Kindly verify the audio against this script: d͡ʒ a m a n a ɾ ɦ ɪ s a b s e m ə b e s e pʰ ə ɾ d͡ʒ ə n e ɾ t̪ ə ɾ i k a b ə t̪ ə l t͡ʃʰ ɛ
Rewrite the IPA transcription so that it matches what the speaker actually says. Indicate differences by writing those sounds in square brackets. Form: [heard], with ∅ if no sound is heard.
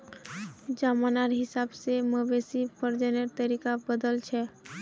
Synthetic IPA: d͡ʒ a m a n a ɾ ɦ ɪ s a b s e m ə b e s [i] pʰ ə ɾ d͡ʒ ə n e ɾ t̪ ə ɾ i k a b ə [d̪] ə l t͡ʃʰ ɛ